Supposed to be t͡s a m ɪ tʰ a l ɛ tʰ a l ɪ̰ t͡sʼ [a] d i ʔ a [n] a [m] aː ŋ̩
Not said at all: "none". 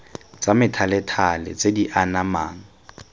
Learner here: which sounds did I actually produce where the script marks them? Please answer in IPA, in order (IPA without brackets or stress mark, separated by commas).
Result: e, n, m